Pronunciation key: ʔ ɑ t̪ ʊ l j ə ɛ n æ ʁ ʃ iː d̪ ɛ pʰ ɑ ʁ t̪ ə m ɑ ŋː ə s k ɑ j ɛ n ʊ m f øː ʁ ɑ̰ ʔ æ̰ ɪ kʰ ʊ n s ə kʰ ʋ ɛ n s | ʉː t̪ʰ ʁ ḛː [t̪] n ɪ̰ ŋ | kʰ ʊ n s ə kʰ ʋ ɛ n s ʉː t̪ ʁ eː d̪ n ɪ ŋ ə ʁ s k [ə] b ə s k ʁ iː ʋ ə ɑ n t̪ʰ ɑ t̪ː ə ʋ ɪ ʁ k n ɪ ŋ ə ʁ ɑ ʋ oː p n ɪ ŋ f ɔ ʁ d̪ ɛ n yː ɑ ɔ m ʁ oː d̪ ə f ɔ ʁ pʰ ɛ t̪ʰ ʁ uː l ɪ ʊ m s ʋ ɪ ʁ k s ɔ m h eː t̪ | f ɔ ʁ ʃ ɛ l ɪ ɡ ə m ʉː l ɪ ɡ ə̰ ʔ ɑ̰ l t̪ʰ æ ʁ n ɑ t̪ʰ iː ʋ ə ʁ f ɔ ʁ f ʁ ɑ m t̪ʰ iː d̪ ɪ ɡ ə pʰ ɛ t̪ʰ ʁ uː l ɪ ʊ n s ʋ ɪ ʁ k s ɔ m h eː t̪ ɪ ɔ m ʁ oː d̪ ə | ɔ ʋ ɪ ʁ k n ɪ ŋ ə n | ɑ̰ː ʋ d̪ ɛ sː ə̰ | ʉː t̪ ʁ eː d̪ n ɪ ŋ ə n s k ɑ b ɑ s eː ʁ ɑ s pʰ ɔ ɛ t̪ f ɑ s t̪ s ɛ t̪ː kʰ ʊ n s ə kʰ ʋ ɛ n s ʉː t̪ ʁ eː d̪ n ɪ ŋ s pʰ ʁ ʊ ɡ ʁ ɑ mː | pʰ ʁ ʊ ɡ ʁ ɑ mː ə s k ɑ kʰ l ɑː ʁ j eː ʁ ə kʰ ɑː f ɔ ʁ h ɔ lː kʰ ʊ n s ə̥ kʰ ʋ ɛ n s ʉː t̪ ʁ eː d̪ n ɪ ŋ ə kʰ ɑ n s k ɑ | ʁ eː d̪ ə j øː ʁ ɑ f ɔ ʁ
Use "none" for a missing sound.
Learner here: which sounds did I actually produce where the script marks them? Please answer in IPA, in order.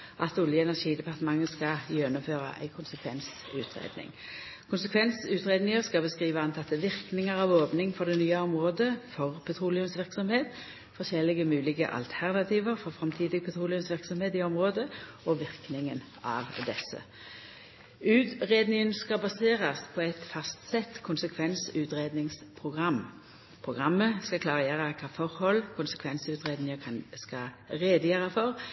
d̪, ɑ

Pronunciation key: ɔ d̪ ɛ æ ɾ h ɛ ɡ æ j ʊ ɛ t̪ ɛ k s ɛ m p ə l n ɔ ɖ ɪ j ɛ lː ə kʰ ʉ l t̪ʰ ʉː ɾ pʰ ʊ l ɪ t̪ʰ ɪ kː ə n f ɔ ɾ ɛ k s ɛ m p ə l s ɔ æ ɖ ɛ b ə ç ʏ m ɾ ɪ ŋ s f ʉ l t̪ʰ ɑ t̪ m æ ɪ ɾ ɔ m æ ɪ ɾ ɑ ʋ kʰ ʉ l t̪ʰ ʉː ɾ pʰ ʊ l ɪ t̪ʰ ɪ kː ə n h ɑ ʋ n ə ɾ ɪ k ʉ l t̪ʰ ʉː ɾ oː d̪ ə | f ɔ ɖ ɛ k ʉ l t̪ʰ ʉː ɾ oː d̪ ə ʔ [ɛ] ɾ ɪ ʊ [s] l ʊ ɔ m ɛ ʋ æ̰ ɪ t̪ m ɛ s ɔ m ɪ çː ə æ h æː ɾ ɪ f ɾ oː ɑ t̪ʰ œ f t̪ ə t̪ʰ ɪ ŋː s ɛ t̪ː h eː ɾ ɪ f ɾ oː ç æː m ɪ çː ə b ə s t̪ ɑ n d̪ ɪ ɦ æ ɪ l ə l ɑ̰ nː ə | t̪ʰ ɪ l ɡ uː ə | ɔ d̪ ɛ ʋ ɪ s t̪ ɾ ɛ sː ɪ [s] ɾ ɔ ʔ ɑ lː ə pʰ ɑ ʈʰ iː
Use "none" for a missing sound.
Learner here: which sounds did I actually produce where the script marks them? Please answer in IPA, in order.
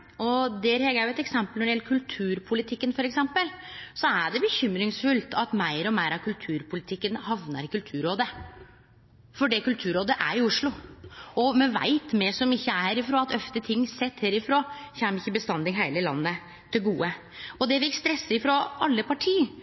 æ, ʂ, f

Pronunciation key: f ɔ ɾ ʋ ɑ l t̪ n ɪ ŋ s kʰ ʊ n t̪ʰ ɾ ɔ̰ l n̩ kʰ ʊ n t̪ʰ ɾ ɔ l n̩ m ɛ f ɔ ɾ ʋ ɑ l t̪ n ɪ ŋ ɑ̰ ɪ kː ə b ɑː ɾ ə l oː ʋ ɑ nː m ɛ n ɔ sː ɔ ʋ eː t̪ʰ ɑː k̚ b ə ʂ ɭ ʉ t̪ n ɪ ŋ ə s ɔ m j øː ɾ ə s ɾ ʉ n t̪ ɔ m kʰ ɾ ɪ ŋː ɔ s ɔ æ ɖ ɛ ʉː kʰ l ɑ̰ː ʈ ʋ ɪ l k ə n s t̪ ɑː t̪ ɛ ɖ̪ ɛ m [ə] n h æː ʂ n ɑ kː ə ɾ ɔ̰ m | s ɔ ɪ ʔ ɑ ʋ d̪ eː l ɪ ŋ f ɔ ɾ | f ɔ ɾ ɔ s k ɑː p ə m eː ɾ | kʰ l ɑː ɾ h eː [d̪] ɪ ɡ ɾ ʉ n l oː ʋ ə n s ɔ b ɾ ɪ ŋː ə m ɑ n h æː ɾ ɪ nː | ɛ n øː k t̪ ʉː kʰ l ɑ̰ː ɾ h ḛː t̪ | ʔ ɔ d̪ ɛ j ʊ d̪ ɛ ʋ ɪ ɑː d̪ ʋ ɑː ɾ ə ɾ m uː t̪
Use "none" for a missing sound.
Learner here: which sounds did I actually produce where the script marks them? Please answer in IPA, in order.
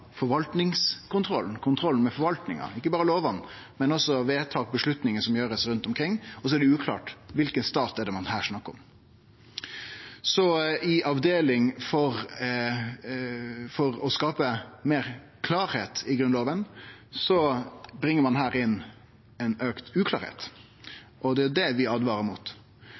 ɑ, t̪

